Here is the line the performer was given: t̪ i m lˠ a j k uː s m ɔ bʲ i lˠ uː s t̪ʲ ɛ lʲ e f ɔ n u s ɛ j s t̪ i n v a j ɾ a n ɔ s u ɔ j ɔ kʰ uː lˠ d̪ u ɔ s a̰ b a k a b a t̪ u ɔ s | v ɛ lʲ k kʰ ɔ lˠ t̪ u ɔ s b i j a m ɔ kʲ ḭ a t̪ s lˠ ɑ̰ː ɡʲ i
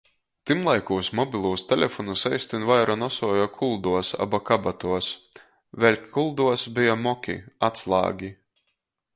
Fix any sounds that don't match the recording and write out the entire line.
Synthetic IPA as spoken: t̪ i m lˠ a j k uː s m ɔ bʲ i lˠ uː s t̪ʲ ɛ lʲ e f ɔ n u s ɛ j s t̪ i n v a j ɾ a n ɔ s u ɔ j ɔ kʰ u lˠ d̪ u ɔ s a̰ b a k a b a t̪ u ɔ s | v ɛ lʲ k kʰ u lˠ d̪ u ɔ s b i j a m ɔ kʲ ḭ a t̪ s lˠ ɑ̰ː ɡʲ i